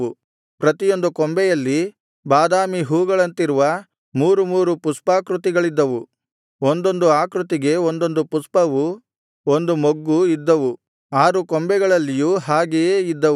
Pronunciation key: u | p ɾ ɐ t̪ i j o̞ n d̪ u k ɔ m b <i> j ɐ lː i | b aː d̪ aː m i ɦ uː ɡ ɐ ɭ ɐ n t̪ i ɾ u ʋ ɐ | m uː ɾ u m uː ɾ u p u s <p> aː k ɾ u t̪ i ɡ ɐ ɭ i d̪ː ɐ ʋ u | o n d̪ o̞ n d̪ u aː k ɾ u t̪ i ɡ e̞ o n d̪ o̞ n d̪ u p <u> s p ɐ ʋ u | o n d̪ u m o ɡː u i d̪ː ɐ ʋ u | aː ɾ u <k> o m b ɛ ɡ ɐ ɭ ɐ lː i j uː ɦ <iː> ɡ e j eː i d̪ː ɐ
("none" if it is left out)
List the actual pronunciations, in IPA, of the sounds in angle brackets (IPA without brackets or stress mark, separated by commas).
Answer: ɛ, p, u, k, aː